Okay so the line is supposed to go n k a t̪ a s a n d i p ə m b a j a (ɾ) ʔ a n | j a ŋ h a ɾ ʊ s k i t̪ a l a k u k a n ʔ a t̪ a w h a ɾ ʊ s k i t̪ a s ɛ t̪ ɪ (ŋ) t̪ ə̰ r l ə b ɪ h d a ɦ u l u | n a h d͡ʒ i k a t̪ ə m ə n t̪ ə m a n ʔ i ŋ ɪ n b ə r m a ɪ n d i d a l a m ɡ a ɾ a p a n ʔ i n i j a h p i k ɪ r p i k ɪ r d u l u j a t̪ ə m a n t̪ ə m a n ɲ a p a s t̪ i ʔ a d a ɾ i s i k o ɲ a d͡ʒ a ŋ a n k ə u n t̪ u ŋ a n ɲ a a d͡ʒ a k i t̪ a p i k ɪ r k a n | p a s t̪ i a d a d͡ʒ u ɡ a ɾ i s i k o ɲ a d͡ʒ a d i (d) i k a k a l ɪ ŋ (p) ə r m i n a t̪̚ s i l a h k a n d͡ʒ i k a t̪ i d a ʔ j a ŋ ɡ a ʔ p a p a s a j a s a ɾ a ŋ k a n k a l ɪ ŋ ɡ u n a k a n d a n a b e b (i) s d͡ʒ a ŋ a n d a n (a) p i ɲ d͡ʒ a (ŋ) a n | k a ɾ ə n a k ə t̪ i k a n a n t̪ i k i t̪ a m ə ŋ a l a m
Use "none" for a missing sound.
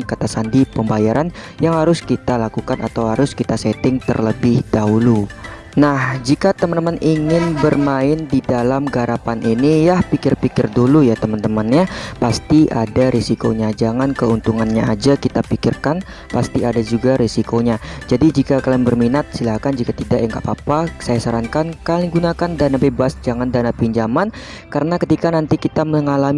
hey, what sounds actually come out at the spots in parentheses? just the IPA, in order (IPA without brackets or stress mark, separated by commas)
ɾ, ŋ, d͡ʒ, b, a, a, m